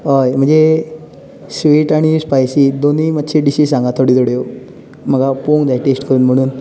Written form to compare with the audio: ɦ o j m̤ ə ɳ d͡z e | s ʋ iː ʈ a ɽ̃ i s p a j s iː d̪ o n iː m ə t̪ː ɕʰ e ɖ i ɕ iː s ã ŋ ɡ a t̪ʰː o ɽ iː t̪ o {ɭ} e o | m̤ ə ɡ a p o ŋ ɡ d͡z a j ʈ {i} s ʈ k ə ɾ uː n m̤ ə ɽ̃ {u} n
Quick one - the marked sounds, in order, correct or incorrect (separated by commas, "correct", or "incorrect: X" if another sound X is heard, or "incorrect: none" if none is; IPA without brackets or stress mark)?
incorrect: ɽ, incorrect: e, incorrect: uː